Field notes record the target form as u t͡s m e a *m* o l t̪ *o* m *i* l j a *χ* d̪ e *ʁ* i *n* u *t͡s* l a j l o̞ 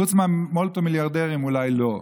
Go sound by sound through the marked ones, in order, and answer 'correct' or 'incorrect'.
correct, correct, correct, incorrect: ʁ, correct, incorrect: m, incorrect: none

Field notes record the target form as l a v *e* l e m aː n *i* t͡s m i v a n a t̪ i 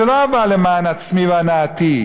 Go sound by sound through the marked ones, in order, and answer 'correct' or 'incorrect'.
incorrect: a, incorrect: a

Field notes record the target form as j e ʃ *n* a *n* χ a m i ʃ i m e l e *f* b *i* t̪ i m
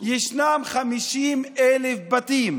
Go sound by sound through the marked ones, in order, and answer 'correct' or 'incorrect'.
correct, incorrect: m, correct, incorrect: a

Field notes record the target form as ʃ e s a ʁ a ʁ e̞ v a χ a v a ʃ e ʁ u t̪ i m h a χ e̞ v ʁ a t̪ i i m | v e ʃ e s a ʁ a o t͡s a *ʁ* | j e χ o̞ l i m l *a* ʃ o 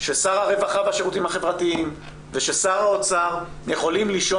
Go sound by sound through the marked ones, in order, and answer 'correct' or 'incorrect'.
correct, incorrect: i

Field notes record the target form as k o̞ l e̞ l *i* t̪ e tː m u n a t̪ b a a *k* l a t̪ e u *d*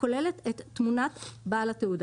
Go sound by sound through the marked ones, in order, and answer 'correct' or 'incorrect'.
incorrect: e, incorrect: none, correct

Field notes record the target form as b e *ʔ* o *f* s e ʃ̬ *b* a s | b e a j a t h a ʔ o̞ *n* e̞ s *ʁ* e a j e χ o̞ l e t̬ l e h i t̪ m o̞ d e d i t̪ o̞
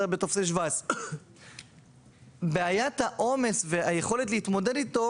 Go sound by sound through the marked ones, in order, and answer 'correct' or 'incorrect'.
incorrect: t, correct, incorrect: v, incorrect: m, incorrect: v

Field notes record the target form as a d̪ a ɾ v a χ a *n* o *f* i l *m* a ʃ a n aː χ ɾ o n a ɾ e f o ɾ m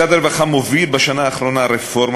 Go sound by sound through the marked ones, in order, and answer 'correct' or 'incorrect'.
incorrect: m, incorrect: v, incorrect: b

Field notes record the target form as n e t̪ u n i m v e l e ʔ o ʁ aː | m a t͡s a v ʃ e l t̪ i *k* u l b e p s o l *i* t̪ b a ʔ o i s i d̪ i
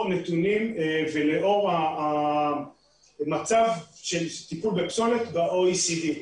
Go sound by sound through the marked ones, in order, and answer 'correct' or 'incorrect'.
incorrect: p, incorrect: e

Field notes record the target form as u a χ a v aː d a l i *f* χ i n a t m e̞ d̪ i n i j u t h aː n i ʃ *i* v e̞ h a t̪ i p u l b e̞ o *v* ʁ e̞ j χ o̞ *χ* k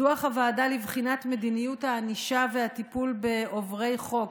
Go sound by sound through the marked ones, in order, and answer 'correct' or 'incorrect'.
incorrect: v, incorrect: a, correct, incorrect: none

